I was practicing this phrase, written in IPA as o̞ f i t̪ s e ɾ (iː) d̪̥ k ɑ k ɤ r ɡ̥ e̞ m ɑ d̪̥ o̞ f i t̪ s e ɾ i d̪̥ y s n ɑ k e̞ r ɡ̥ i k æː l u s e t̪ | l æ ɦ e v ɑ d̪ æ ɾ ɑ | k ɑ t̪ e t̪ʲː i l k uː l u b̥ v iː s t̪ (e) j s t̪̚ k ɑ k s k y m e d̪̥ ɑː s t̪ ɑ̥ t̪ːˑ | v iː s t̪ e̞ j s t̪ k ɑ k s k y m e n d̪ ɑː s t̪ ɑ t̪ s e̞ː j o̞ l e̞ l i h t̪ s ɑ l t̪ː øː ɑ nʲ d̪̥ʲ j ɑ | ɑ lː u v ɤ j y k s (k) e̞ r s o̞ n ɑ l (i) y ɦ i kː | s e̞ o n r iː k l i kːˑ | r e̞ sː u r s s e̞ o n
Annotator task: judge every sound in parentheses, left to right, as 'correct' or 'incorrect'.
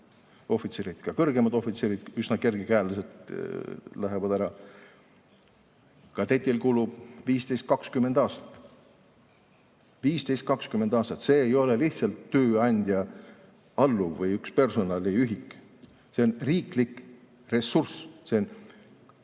incorrect: i, correct, incorrect: p, correct

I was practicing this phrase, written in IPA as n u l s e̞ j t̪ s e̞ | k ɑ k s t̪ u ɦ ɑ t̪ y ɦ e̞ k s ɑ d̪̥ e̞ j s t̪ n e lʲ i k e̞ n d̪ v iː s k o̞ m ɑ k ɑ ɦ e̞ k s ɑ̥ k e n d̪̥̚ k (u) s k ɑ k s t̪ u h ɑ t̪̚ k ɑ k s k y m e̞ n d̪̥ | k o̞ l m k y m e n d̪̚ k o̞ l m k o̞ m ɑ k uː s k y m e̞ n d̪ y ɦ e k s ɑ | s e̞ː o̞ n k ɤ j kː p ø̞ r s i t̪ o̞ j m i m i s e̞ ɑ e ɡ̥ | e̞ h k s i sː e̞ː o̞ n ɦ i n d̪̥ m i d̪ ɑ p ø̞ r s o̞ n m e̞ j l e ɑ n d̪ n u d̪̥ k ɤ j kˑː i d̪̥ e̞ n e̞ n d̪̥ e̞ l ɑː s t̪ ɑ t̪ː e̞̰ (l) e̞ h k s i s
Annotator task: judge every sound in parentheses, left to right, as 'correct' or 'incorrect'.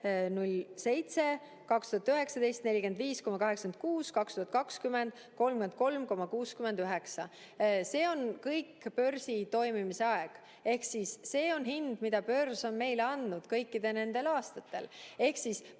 incorrect: uː, correct

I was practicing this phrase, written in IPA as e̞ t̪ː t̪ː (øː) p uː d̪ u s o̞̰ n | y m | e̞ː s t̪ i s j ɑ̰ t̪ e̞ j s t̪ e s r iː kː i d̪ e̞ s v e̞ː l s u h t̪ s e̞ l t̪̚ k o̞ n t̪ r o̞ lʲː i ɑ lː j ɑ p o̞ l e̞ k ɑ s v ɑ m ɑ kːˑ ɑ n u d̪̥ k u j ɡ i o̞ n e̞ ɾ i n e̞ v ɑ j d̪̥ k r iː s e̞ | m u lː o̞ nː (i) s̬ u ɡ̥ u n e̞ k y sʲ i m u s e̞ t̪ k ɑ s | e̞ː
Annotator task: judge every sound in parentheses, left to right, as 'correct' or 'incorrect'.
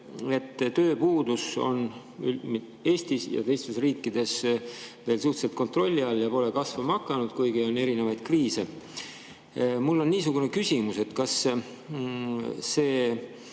correct, incorrect: iː

